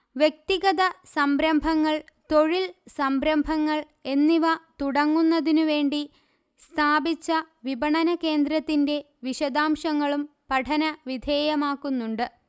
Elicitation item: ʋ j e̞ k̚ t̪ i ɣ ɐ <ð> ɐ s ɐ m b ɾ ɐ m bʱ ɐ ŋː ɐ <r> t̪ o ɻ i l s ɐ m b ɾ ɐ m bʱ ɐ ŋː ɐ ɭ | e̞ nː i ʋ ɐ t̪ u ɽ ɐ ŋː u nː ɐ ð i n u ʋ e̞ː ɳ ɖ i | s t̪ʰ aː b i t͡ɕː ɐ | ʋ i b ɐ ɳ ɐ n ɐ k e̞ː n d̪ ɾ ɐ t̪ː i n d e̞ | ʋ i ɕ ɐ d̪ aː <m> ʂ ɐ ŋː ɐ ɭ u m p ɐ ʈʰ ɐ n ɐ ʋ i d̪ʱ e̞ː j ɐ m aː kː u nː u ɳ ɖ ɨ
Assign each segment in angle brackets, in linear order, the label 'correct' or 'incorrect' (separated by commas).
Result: correct, incorrect, correct